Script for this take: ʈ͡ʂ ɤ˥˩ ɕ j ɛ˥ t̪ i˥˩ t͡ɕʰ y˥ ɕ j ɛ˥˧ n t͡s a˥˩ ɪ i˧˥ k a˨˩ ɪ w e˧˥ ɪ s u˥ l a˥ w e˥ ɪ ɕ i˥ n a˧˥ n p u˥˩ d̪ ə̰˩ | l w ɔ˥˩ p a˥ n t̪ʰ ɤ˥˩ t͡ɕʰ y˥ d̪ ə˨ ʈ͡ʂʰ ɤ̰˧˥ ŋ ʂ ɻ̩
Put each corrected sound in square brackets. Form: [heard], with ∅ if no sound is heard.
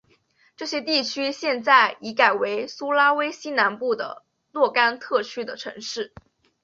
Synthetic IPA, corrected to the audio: ʈ͡ʂ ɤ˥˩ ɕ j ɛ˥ t̪ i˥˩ t͡ɕʰ y˥ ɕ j ɛ˥˧ n t͡s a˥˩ ɪ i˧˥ k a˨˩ ɪ w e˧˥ ɪ s u˥ l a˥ w e˥ ɪ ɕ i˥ n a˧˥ n p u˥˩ d̪ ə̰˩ | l w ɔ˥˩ [k] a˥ n t̪ʰ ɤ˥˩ t͡ɕʰ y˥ d̪ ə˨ ʈ͡ʂʰ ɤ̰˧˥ ŋ ʂ ɻ̩